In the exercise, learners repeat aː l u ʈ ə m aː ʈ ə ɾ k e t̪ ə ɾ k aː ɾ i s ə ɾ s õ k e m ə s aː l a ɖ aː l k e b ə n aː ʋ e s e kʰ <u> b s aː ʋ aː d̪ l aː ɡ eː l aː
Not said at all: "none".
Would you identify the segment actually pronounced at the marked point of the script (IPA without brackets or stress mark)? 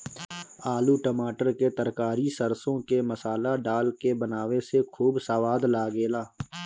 uː